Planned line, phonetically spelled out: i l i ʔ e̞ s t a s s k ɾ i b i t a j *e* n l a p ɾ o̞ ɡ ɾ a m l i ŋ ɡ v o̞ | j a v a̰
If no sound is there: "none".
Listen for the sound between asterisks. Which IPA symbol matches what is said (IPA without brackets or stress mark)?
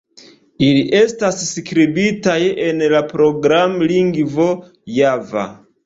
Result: e